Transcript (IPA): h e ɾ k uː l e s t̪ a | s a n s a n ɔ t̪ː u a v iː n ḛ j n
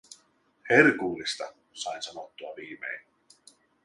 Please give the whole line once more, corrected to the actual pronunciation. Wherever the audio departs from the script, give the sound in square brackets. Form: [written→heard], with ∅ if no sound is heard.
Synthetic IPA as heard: h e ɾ k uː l [e→i] s t̪ a | s a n s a n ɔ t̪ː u a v iː [n→m] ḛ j n